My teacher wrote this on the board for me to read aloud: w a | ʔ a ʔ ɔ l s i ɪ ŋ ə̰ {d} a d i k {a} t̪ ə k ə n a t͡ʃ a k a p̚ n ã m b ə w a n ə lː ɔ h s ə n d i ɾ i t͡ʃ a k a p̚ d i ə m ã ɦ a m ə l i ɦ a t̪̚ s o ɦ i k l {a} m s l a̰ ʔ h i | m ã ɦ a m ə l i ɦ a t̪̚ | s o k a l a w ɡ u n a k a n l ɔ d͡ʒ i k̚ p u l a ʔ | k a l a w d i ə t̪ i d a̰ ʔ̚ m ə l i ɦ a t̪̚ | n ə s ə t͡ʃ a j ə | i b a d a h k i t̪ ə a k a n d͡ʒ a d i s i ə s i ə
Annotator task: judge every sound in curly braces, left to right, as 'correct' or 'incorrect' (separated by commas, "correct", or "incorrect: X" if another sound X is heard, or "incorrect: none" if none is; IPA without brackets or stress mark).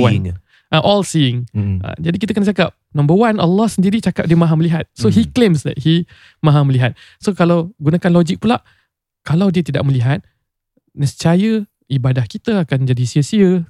incorrect: d͡ʒ, incorrect: i, incorrect: e